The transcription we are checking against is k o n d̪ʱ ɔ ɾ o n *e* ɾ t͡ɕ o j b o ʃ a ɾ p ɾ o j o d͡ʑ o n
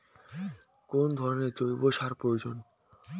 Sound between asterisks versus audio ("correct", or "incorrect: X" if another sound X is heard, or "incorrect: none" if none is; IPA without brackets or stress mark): correct